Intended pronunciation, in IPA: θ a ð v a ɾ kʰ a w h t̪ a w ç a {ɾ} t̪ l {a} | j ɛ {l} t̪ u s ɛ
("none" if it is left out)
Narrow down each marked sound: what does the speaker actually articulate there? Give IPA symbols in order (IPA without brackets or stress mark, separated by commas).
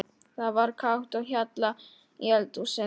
none, a, l